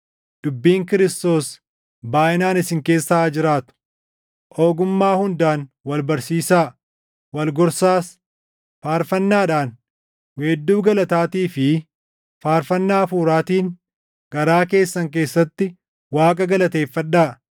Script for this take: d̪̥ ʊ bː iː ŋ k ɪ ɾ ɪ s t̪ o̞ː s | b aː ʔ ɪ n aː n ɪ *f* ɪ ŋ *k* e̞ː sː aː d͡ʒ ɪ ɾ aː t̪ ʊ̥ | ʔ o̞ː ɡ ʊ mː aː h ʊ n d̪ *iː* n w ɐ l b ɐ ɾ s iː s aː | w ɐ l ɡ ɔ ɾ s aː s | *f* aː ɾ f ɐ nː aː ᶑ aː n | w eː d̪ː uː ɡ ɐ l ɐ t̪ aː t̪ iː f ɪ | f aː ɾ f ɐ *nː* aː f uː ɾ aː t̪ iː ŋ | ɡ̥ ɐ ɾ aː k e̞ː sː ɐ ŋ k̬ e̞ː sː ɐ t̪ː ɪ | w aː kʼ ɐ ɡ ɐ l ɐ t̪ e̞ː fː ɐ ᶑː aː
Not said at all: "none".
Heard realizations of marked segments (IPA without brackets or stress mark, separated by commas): s, k, aː, f, nː